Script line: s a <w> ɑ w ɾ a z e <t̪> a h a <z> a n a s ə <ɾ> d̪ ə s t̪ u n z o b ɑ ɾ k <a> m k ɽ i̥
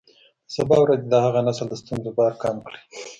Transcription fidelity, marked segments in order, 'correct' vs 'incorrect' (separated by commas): incorrect, incorrect, incorrect, incorrect, incorrect